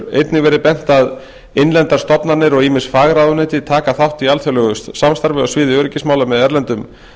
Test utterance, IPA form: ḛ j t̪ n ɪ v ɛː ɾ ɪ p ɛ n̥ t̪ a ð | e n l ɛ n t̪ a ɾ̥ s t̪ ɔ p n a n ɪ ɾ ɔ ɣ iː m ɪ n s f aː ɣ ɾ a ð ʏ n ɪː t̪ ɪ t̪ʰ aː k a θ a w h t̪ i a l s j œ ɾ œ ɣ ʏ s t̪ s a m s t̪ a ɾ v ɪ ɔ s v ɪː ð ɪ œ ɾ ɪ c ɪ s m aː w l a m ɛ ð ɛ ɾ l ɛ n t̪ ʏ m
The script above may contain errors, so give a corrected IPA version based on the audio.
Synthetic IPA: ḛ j t̪ n ɪ v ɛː ɾ ɪ p ɛ n̥ t̪ a ð | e n l ɛ n t̪ a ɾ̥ s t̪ ɔ p n a n ɪ ɾ ɔ ɣ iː m ɪ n s f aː ɣ ɾ a ð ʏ n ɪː t̪ ɪ t̪ʰ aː k a θ a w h t̪ i a l θ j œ l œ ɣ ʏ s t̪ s a m s t̪ a ɾ v ɪ ɔ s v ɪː ð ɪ œ ɾ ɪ c ɪ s m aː w l a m ɛ ð ɛ ɾ l ɛ n t̪ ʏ m